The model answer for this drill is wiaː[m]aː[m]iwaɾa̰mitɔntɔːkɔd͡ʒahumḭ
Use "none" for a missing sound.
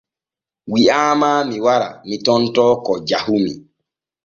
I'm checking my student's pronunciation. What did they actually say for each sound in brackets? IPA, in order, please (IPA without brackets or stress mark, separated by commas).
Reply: m, m